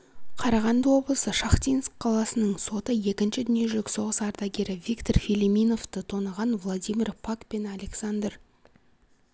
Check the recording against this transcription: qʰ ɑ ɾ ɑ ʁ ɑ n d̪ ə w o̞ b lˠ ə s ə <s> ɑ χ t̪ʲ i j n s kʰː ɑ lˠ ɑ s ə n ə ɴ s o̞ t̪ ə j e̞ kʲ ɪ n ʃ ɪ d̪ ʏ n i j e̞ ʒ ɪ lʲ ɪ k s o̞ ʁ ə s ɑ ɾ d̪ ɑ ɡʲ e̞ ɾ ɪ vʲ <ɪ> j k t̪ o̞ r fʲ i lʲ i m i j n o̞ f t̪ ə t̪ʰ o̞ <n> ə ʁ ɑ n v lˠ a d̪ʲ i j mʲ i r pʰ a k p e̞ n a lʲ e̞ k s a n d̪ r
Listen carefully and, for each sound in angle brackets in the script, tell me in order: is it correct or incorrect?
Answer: incorrect: ʃ, incorrect: i, correct

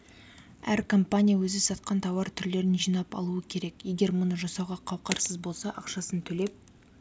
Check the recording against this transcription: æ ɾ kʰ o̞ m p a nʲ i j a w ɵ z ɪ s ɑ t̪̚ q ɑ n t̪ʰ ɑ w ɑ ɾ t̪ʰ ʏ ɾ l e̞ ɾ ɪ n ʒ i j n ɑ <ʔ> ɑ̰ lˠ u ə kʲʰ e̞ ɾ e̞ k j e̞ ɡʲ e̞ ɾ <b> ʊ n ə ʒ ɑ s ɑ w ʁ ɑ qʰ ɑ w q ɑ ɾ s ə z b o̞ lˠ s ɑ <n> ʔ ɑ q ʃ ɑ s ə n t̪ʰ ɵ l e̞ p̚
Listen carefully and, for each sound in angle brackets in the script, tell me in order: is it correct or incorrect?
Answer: incorrect: p, incorrect: m, incorrect: none

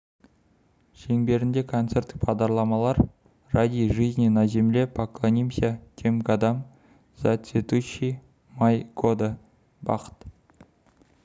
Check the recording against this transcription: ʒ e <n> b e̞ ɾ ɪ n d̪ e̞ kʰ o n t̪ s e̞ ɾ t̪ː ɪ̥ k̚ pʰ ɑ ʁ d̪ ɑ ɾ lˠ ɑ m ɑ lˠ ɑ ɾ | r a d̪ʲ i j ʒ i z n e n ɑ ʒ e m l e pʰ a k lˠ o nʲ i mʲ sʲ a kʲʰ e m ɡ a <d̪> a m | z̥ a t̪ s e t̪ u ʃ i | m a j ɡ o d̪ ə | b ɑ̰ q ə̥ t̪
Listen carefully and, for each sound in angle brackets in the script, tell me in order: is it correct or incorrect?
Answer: incorrect: ŋ, correct

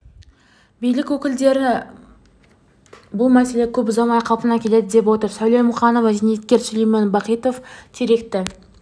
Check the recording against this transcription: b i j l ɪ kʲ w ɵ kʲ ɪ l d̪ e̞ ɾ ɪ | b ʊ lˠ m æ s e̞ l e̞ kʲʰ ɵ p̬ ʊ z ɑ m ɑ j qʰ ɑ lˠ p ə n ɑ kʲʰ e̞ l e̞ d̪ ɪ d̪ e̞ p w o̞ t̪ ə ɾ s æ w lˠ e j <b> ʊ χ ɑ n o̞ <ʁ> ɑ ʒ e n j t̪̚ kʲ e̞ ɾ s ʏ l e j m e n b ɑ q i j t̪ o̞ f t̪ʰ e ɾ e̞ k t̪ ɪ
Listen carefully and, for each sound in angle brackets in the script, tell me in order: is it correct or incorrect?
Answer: incorrect: m, incorrect: v

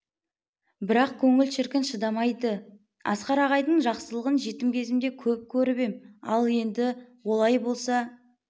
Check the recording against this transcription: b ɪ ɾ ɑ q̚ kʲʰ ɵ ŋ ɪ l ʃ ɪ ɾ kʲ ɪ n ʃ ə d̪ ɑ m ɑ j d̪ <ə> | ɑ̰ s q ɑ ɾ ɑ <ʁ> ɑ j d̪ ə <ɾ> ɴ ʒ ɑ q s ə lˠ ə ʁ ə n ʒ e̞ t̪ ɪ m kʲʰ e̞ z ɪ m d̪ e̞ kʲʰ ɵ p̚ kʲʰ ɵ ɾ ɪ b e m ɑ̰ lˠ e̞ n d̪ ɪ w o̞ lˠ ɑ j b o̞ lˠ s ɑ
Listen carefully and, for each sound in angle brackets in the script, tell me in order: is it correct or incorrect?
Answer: correct, correct, incorrect: none

